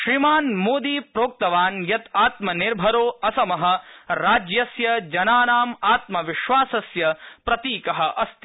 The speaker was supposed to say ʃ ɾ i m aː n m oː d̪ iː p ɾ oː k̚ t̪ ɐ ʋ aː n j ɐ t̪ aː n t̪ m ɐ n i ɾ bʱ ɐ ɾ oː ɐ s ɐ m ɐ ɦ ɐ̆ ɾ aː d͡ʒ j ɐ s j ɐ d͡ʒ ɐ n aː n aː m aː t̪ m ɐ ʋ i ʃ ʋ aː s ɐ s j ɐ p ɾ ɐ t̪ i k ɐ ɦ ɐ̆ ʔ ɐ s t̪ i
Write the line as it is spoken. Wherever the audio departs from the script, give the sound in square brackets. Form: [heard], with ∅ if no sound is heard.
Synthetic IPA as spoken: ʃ ɾ i m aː n m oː d̪ iː p ɾ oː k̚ t̪ ɐ ʋ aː n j ɐ t̪ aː [∅] t̪ m ɐ n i ɾ bʱ ɐ ɾ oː ɐ s ɐ m ɐ ɦ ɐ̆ ɾ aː d͡ʒ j ɐ s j ɐ d͡ʒ ɐ n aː n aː m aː t̪ m ɐ ʋ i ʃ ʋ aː s ɐ s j ɐ p ɾ ɐ t̪ [iː] k ɐ ɦ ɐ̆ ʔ ɐ s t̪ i